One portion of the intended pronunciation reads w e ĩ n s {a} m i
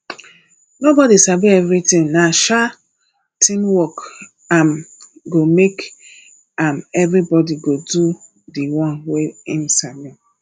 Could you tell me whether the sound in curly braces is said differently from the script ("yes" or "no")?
no